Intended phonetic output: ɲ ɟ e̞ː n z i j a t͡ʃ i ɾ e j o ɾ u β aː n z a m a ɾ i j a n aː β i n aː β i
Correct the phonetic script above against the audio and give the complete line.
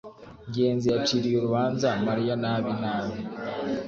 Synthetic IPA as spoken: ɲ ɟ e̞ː n z i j a t͡ʃ i ɾ i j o ɾ u β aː n z a m a ɾ i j a n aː β i n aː β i